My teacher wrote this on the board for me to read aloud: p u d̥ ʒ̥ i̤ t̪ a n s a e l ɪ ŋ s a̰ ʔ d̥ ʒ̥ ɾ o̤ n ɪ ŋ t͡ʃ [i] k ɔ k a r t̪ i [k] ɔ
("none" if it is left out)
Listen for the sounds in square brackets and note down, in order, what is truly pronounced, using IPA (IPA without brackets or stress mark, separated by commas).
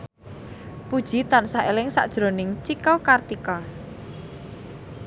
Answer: i, k